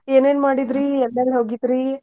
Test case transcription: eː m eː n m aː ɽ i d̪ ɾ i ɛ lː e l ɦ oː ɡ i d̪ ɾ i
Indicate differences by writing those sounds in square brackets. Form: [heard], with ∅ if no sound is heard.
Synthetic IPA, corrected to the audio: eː [n] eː n m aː ɽ i d̪ ɾ i ɛ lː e l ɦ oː ɡ i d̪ ɾ i